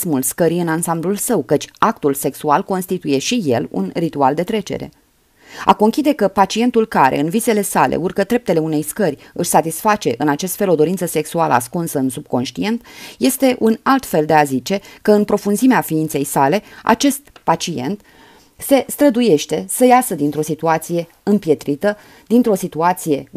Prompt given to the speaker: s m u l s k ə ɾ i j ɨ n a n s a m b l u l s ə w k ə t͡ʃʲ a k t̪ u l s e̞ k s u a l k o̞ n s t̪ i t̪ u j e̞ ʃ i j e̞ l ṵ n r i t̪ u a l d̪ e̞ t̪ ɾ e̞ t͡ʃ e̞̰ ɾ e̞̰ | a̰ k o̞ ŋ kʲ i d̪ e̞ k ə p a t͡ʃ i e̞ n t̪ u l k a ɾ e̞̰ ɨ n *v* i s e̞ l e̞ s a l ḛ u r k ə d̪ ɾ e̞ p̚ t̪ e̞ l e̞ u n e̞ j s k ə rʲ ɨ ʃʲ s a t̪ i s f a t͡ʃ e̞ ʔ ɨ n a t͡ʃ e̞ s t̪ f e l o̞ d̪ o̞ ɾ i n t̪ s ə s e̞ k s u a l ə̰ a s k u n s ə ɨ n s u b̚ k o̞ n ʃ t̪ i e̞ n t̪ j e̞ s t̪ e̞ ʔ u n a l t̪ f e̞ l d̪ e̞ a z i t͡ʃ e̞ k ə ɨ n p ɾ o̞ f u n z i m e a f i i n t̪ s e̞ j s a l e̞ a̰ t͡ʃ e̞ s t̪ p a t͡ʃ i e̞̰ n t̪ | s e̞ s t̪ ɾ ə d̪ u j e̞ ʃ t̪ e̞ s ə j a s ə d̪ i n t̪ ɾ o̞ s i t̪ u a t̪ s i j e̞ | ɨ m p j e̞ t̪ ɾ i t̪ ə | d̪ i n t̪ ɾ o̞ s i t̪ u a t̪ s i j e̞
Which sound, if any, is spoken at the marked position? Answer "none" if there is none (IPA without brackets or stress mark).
v